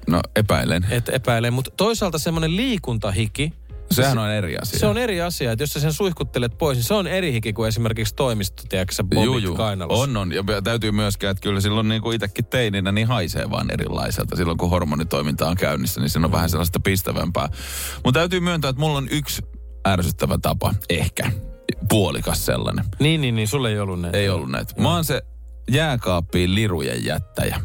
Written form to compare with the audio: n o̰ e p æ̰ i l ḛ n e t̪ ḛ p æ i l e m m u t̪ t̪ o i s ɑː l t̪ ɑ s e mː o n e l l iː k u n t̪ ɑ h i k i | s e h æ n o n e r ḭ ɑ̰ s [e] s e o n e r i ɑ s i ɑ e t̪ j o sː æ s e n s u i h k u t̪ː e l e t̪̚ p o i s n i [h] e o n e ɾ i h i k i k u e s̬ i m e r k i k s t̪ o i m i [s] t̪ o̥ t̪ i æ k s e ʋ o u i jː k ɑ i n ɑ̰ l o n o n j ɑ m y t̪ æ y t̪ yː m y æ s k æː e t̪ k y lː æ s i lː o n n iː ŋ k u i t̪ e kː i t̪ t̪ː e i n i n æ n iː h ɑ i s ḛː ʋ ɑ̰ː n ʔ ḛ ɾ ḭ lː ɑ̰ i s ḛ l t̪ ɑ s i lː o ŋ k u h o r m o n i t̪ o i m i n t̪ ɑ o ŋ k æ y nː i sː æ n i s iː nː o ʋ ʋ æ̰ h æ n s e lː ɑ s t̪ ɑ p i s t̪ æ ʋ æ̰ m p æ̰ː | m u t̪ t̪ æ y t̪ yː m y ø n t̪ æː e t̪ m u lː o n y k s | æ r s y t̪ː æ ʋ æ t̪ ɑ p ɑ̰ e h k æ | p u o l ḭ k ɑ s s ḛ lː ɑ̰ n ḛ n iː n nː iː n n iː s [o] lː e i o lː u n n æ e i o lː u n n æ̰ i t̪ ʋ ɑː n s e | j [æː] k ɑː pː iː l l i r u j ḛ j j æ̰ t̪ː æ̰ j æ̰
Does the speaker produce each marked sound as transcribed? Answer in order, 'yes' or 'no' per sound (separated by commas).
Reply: no, no, yes, no, yes